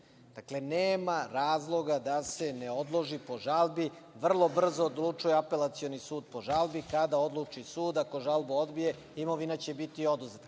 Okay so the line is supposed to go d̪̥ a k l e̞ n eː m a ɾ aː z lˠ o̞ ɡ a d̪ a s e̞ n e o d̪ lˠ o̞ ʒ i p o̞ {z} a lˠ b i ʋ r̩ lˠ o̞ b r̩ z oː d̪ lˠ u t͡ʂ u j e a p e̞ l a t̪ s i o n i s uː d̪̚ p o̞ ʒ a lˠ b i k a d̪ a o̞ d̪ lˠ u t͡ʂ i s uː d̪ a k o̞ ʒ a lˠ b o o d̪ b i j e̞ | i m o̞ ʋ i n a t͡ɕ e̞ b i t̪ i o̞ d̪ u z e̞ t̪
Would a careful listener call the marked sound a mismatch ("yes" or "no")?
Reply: yes